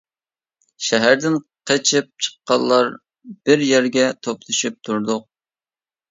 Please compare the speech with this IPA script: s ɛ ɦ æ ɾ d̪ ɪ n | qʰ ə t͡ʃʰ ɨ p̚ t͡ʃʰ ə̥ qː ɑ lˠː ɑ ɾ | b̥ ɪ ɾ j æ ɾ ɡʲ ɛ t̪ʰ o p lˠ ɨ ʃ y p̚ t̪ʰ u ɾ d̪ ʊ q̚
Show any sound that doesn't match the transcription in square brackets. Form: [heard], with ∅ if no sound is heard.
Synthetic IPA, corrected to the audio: [ʃ] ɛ ɦ æ ɾ d̪ ɪ n | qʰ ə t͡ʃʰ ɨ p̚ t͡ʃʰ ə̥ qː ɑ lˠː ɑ ɾ | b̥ ɪ ɾ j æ ɾ ɡʲ ɛ t̪ʰ o p lˠ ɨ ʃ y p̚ t̪ʰ u ɾ d̪ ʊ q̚

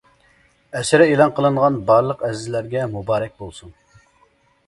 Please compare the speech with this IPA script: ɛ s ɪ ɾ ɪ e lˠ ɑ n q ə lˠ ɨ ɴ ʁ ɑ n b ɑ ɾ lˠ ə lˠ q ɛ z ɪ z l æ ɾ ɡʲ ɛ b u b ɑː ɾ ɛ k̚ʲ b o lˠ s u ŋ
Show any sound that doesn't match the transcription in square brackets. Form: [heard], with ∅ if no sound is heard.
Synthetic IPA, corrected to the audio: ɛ s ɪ ɾ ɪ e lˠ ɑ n q ə lˠ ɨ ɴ ʁ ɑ n b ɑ ɾ lˠ ə [∅] q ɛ z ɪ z l æ ɾ ɡʲ ɛ [m] u b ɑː ɾ ɛ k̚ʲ b o lˠ s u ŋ

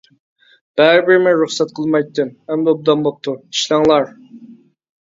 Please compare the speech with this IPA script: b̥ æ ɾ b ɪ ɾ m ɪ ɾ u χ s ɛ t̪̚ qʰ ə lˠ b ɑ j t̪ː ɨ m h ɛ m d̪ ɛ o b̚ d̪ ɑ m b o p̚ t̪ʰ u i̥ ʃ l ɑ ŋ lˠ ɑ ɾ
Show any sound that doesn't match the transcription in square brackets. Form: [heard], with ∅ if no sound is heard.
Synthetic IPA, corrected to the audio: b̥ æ ɾ b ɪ ɾ m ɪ ɾ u χ s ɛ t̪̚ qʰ ə lˠ [m] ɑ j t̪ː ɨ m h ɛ m d̪ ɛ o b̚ d̪ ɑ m b o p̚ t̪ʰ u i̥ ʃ l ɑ ŋ lˠ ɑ ɾ

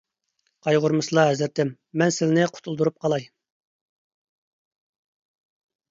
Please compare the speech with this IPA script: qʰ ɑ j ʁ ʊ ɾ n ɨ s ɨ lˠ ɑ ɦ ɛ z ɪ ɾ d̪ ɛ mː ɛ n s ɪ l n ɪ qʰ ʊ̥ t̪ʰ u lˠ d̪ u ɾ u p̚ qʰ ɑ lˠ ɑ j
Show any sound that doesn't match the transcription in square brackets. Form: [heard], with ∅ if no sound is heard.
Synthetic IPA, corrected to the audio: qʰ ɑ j ʁ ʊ ɾ [m] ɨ s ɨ lˠ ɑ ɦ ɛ z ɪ ɾ [t̪] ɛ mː ɛ n s ɪ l n ɪ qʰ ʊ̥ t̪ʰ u lˠ d̪ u ɾ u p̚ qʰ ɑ lˠ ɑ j

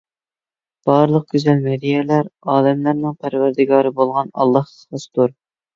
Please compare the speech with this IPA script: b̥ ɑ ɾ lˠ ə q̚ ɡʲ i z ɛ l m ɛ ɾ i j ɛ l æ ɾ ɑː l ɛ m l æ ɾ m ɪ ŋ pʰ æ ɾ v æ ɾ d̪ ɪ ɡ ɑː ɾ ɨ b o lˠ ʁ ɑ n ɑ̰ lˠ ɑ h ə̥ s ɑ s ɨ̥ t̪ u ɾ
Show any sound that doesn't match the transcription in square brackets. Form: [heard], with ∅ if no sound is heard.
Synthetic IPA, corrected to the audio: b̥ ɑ ɾ lˠ ə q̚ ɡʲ [y] z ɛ l m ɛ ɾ i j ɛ l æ ɾ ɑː l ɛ m l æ ɾ [n] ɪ ŋ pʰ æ ɾ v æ ɾ d̪ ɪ ɡ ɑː ɾ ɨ b o lˠ ʁ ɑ n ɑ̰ [lˠː] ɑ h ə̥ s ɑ s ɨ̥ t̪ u ɾ

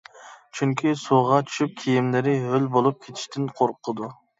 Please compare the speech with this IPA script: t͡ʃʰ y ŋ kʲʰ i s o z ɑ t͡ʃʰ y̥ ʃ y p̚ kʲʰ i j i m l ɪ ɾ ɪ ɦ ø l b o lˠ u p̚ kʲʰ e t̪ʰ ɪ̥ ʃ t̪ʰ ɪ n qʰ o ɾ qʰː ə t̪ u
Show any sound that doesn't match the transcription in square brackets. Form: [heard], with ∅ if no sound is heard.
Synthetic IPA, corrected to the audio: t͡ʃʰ y ŋ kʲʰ i s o [ʁ] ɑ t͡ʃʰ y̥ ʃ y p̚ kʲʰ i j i m l ɪ ɾ ɪ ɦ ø l b o lˠ u p̚ kʲʰ e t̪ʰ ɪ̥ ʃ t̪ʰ ɪ n qʰ o ɾ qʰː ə [d̪] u

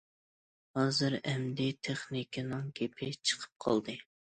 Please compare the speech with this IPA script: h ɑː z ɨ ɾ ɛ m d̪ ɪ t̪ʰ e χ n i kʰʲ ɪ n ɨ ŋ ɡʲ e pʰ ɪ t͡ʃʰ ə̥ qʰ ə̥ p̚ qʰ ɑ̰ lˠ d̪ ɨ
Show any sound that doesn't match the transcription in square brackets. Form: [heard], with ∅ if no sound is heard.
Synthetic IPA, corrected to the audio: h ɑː z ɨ ɾ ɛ m d̪ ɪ t̪ʰ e χ n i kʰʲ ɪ n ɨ ŋ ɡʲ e pʰ ɪ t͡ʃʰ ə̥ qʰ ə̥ p̚ qʰ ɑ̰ lˠ d̪ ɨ

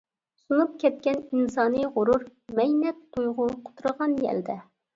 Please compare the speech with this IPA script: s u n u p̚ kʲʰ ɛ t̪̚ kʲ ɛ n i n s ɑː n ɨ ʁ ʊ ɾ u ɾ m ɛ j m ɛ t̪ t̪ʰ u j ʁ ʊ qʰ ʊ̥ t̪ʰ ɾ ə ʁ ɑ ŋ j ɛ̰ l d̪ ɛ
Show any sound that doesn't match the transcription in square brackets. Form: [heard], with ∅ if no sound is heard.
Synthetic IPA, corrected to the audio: s u n u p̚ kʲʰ ɛ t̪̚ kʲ ɛ n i n s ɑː n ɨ ʁ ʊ ɾ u ɾ m ɛ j [n] ɛ t̪ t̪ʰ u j ʁ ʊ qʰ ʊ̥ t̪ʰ ɾ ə ʁ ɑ [n] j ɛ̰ l d̪ ɛ

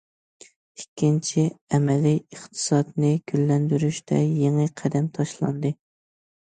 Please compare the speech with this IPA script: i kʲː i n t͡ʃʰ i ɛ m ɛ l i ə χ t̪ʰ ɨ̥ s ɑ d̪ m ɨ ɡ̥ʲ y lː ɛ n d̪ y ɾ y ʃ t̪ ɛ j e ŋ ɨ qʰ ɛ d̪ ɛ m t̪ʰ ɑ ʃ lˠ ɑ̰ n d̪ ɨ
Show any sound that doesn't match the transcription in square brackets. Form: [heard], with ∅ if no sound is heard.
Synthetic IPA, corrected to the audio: i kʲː i n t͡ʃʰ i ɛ m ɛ l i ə χ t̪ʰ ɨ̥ s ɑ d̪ [n] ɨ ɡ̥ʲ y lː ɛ n d̪ y ɾ y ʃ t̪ ɛ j e ŋ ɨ qʰ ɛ d̪ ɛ m t̪ʰ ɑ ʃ lˠ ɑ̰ n d̪ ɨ

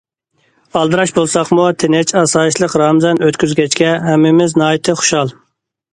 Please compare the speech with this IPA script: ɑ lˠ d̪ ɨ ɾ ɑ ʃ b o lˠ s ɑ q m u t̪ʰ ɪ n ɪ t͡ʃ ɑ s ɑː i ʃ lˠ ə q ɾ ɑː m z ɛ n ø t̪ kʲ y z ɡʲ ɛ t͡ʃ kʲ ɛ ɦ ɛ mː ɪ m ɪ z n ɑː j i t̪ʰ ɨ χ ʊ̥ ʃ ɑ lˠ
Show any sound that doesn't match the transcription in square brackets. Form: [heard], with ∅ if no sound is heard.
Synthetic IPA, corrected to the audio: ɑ lˠ d̪ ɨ ɾ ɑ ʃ b o lˠ s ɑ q m u t̪ʰ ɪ n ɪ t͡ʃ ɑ s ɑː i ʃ lˠ ə q ɾ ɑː m z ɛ n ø t̪ kʲ y z ɡʲ ɛ t͡ʃ kʲ ɛ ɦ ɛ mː ɪ m ɪ z n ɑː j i t̪ʰ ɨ χ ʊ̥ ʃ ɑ lˠ

